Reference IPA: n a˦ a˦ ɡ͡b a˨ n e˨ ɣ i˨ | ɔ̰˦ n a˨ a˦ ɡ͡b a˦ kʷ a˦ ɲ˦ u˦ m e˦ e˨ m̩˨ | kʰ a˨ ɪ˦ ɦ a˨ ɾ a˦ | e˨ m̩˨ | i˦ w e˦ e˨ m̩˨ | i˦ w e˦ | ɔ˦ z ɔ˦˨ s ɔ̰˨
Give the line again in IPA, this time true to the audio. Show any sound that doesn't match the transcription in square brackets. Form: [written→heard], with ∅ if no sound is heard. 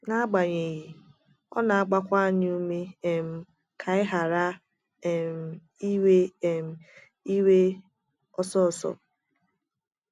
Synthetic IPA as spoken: n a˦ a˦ ɡ͡b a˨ [n→ɲ] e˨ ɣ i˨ | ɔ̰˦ n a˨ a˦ ɡ͡b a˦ kʷ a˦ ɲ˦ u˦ m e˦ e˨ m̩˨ | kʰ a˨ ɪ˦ ɦ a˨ ɾ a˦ | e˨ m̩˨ | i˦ w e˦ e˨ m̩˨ | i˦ w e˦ | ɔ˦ [z→s] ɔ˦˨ s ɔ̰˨